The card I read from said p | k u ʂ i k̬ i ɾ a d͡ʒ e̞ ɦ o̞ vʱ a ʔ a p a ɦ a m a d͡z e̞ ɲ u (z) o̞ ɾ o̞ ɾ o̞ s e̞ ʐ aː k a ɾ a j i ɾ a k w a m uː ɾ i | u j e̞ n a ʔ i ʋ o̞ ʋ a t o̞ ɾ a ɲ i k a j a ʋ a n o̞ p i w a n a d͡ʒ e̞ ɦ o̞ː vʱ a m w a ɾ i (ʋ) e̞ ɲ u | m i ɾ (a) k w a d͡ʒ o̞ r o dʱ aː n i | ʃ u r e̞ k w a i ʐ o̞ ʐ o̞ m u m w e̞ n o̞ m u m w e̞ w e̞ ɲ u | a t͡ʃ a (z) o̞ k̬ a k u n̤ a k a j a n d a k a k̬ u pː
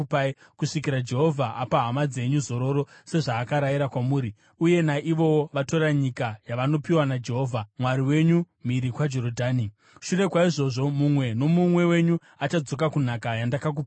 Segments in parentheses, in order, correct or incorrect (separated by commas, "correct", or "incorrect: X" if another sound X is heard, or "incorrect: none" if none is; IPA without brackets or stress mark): correct, incorrect: w, incorrect: i, incorrect: d͡z